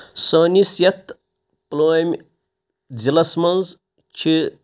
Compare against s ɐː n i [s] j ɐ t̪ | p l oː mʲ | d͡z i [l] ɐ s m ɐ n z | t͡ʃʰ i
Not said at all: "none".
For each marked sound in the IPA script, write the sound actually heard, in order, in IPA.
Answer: s, l

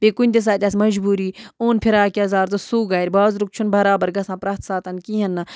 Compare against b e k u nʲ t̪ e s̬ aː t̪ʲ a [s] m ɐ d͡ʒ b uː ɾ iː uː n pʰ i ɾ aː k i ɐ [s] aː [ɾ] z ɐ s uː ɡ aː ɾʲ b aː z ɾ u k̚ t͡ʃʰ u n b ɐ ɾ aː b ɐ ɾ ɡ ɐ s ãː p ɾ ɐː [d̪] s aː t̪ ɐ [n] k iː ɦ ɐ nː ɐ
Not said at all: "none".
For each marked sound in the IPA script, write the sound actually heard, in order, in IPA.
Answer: s, z, ɾ, t̪, n

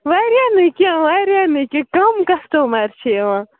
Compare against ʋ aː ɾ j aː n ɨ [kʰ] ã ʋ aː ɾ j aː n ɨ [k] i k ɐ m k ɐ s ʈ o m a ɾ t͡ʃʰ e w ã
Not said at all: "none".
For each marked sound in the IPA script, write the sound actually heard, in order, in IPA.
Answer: k, k

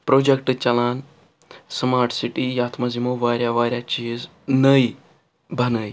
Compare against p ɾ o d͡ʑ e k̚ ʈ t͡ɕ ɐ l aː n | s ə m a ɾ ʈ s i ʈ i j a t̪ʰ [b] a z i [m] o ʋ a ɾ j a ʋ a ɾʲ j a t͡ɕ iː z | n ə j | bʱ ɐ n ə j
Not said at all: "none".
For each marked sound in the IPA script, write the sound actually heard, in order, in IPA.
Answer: m, m

